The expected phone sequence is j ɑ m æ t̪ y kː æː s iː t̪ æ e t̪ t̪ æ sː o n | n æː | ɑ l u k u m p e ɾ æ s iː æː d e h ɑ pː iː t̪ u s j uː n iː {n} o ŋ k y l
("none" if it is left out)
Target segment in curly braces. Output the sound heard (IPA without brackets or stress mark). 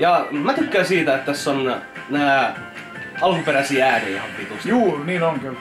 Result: n